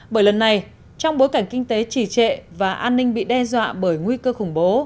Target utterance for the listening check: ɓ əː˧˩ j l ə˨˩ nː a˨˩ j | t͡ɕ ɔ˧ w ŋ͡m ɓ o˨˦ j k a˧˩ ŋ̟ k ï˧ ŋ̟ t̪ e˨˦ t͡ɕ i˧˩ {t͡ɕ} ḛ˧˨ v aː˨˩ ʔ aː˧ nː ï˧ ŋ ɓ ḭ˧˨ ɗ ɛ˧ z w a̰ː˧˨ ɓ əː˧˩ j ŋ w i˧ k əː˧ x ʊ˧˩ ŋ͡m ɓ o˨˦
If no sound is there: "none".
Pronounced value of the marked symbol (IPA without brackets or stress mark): t͡ɕ